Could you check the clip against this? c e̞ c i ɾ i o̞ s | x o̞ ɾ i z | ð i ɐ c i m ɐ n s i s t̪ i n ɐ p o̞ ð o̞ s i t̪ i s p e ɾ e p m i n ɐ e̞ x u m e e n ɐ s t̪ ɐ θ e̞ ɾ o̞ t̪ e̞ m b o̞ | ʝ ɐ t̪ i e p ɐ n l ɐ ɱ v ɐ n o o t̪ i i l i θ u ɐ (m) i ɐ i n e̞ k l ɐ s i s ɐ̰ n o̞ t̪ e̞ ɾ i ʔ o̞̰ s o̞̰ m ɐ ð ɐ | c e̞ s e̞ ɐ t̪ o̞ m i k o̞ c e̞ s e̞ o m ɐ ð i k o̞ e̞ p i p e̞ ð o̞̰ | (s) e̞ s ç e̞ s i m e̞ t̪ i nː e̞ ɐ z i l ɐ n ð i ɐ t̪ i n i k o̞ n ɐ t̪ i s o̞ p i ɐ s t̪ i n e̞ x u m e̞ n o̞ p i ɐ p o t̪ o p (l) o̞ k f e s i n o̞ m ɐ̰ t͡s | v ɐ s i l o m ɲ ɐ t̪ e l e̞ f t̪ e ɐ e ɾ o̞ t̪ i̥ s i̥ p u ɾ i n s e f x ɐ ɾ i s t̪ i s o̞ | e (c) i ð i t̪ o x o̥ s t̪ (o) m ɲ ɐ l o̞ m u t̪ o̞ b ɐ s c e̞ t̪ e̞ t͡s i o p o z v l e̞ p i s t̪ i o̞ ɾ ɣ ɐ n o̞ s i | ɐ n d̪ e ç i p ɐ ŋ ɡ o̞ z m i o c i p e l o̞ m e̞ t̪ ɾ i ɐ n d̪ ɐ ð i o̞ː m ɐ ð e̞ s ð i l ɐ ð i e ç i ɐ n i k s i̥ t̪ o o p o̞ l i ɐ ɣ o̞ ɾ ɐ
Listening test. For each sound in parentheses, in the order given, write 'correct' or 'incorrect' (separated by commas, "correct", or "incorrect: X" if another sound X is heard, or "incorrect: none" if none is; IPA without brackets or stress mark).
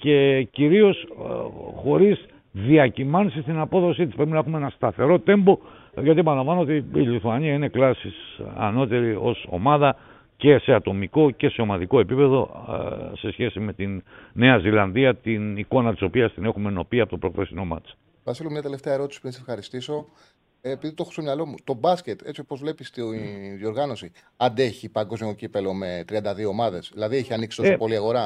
incorrect: ɲ, correct, incorrect: ɾ, incorrect: p, correct